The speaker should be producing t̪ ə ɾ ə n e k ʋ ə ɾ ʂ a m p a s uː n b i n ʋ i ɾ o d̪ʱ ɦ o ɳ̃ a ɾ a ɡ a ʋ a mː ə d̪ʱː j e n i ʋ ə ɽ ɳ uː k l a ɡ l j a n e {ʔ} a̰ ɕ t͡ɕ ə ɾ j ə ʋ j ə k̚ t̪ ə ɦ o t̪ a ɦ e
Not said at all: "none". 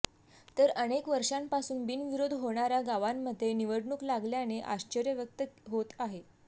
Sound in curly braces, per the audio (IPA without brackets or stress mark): ʔ